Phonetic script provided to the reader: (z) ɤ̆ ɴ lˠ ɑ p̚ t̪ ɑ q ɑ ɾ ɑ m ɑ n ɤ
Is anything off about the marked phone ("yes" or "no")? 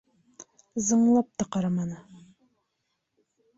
no